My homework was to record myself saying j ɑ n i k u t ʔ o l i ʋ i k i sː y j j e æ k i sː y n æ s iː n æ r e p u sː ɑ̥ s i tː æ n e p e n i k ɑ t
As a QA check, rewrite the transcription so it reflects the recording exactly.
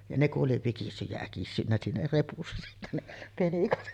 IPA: j ɑ n e k u ʔ ʔ o l i ʋ i k i sː y j j æ æ k i sː y nː æ s iː n æ r e p u sː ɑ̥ s i tː æ n e p e n i k ɑ t